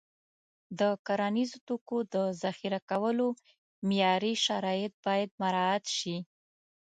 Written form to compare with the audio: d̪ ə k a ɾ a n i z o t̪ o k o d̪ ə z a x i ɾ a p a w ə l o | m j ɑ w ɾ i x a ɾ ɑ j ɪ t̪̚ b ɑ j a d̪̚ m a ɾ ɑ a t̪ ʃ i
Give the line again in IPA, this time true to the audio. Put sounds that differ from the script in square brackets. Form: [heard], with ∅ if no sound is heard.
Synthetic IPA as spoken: d̪ ə k a ɾ a n i z o t̪ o k o d̪ ə z a x i ɾ a [k] a w ə l o | m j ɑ [∅] ɾ i [ʃ] a ɾ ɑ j ɪ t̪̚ b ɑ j a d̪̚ m a ɾ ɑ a t̪ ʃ i